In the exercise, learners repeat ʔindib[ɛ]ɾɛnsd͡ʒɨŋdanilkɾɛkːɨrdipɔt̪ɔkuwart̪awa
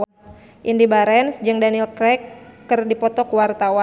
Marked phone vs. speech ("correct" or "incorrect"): incorrect